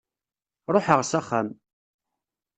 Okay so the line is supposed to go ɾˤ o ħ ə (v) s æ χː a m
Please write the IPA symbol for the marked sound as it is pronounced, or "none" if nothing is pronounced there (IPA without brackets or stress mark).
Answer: ʁ